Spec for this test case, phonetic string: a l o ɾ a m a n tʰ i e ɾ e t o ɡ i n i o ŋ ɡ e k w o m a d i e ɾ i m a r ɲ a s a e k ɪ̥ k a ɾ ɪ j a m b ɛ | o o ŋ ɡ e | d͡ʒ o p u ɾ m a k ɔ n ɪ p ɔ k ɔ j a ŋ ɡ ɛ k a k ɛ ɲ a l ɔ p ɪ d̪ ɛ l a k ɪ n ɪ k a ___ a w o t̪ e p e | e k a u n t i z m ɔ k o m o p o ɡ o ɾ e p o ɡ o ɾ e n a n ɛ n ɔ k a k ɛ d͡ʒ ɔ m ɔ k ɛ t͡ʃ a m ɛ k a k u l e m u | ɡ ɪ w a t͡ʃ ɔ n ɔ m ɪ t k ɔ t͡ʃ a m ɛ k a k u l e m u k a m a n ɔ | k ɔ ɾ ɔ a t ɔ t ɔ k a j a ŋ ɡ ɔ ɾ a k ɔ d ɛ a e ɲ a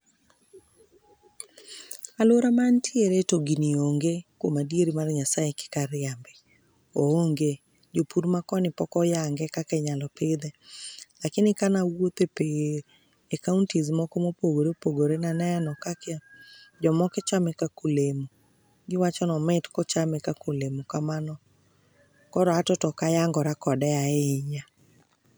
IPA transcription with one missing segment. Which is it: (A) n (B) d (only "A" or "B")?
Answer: A